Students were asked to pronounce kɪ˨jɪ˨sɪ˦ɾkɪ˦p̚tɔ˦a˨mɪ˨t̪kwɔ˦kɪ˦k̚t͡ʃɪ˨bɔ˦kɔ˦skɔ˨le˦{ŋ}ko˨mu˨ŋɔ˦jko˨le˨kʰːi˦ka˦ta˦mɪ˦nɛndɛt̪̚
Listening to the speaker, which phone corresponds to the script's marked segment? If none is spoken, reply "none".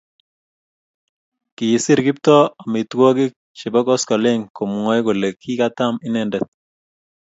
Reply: ŋ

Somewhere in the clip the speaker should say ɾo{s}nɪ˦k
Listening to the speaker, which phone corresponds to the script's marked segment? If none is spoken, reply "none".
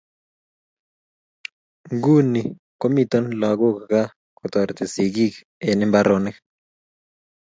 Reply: none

